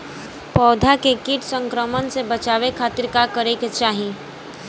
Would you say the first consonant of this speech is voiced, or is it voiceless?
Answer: voiceless